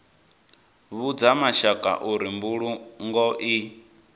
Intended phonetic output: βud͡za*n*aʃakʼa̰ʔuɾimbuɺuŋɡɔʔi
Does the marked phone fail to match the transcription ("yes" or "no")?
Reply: yes